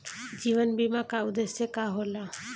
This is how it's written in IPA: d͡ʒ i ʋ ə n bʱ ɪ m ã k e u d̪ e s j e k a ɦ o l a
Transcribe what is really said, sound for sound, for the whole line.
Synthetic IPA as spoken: d͡ʒ i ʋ ə n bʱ i m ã k a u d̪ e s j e k a ɦ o l a